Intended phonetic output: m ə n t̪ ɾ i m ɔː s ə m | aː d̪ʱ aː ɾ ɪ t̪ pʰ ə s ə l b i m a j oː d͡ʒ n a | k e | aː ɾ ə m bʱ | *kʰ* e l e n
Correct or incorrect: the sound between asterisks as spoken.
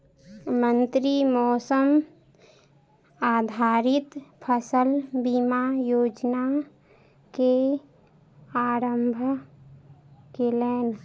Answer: incorrect: k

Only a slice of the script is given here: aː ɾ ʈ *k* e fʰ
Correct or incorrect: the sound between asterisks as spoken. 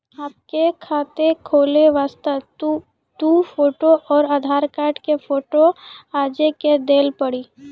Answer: correct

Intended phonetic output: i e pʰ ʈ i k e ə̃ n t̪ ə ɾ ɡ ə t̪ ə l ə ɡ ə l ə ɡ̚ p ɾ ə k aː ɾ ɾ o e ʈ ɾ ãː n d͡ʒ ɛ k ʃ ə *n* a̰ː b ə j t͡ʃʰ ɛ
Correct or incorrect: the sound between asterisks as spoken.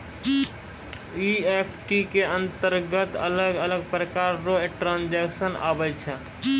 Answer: correct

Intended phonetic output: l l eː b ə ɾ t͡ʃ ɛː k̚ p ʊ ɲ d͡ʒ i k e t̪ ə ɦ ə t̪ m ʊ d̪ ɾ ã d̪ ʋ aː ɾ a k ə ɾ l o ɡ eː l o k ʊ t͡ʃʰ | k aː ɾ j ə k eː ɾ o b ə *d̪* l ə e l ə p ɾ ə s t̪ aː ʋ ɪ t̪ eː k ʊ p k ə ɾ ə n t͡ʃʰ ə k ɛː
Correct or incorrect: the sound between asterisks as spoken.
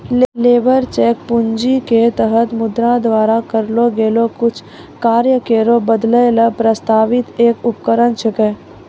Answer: correct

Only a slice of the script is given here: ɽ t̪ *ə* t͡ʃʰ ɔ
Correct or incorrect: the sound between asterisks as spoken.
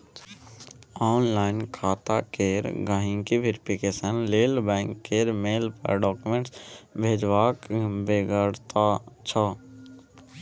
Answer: incorrect: a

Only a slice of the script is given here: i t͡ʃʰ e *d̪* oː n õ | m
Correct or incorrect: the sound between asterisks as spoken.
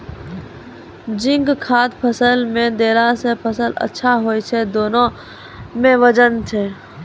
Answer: correct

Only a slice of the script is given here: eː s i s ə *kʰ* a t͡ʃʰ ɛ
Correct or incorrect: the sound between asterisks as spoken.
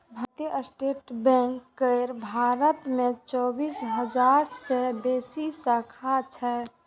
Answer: correct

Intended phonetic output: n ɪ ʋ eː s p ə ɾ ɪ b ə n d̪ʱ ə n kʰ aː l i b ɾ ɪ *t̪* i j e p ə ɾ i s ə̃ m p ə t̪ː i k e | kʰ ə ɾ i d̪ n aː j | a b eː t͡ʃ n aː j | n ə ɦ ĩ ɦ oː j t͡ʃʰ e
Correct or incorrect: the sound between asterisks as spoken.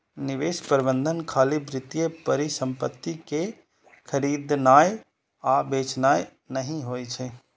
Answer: correct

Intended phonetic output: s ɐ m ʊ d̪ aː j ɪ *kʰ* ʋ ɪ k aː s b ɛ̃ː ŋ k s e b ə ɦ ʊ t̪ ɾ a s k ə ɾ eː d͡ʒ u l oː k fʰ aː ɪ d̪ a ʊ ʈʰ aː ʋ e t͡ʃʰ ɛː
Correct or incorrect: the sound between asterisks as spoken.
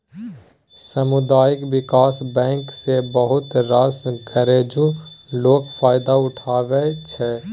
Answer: incorrect: k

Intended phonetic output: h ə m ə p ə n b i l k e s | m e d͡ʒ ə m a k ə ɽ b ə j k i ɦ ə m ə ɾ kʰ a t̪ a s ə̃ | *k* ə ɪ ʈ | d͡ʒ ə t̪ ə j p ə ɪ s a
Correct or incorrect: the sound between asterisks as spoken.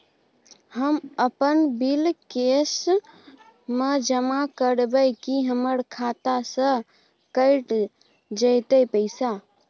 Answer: correct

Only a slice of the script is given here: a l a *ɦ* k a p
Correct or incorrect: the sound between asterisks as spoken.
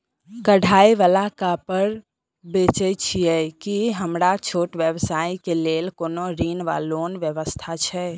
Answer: incorrect: none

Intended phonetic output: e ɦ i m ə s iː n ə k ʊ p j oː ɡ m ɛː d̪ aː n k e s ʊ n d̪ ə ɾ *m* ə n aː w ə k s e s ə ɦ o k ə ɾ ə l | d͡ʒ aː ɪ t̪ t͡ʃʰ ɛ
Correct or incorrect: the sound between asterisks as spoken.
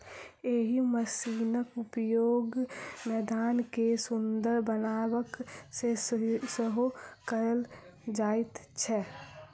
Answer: incorrect: b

